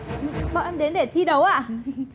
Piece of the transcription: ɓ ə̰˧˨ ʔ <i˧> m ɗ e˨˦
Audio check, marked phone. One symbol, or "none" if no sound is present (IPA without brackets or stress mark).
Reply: ɛ˧